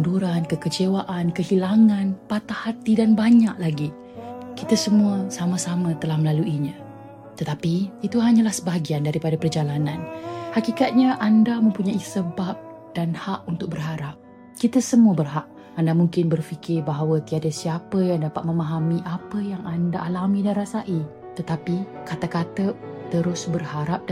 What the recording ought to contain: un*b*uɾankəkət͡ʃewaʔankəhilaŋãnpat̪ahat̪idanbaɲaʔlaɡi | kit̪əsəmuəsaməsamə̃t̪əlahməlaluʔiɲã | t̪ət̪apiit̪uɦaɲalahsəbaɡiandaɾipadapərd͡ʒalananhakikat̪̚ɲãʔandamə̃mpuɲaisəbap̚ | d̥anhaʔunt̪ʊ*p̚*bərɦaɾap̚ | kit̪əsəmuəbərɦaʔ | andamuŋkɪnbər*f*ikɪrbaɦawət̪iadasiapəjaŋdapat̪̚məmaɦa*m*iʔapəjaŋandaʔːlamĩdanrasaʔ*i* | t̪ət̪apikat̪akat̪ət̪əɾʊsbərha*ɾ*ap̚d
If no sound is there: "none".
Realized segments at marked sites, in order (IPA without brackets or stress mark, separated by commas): d, k̚, f, m, i, ɾ